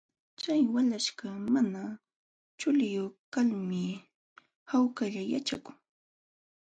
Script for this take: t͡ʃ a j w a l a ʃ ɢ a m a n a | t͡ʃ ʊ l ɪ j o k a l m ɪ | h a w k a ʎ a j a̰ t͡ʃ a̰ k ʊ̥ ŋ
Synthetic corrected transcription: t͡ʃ a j w a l a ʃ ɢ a m a n a | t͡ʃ ʊ l ɪ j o k a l m ɪ | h a w k a ʎ a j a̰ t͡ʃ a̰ k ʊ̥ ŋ